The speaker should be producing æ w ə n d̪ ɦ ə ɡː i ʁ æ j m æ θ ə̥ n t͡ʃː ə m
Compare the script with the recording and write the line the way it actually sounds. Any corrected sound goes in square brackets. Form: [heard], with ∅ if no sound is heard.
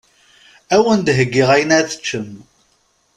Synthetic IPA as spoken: æ w ə n d̪ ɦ ə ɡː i ʁ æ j [n] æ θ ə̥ [∅] t͡ʃː ə m